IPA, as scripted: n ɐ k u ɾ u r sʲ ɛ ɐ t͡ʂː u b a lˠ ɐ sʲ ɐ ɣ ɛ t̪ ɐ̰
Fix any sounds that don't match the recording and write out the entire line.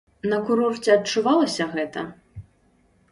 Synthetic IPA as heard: n ɐ k u ɾ ɔ r t͡sʲ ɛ ɐ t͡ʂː u v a lˠ ɐ sʲ ɐ ɣ ɛ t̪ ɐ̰